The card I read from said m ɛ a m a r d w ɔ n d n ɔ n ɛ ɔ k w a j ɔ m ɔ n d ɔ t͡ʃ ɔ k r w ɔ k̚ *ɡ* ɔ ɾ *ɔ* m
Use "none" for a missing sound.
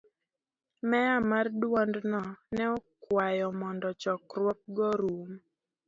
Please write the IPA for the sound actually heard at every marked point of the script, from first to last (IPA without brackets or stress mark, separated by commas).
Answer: ɡ, u